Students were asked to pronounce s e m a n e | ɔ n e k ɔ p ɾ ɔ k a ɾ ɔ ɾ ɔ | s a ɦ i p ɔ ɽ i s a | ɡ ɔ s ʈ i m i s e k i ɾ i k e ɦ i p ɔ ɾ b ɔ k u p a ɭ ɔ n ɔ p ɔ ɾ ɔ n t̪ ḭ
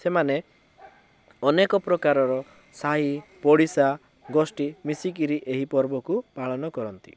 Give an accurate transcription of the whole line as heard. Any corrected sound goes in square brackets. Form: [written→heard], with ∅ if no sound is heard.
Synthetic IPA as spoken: s e m a n e | ɔ n e k ɔ p ɾ ɔ k a ɾ ɔ ɾ ɔ | s a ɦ i p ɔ ɽ i s a | ɡ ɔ s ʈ i m i s [e→i] k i ɾ i [k→ʔ] e ɦ i p ɔ ɾ b ɔ k u p a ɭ ɔ n ɔ [p→k] ɔ ɾ ɔ n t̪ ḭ